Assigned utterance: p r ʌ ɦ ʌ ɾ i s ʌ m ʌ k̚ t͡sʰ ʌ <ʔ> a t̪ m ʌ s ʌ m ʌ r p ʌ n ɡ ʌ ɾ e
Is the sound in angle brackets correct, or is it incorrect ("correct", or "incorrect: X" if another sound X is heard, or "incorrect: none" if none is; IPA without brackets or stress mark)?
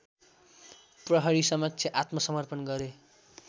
correct